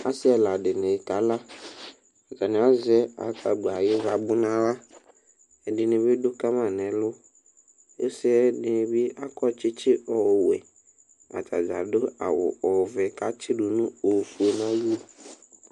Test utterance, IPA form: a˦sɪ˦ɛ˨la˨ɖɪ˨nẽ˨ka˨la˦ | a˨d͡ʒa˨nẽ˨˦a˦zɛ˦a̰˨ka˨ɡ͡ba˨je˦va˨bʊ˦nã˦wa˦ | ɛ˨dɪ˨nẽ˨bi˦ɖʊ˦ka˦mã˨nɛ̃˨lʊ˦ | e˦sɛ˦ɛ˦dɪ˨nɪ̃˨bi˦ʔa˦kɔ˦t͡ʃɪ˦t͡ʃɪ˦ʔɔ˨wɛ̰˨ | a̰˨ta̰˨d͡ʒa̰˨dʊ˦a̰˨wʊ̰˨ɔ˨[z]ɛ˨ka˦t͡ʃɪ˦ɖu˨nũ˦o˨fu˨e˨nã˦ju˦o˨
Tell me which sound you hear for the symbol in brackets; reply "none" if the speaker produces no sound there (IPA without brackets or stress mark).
v